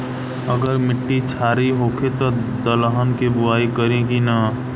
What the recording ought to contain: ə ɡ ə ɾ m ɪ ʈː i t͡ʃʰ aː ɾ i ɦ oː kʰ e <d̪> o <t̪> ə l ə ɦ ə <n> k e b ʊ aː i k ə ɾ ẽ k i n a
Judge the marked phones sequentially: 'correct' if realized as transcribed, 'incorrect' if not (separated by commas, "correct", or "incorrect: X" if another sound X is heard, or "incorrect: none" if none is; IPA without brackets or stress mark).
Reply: incorrect: t̪, incorrect: d̪, correct